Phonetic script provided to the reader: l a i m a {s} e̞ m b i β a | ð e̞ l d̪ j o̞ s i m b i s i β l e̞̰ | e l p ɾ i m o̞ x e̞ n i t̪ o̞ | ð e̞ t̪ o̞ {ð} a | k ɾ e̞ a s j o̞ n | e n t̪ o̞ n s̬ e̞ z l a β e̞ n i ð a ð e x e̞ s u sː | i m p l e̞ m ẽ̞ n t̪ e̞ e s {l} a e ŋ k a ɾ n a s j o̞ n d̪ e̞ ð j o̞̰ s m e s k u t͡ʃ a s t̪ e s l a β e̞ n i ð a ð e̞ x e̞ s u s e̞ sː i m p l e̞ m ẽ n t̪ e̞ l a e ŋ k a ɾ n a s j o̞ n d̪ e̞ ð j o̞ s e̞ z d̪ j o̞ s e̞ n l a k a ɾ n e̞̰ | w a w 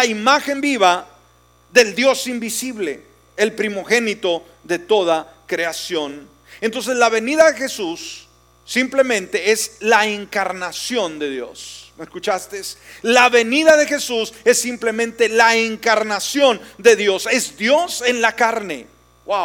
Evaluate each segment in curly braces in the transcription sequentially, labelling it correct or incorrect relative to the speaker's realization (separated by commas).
incorrect, correct, correct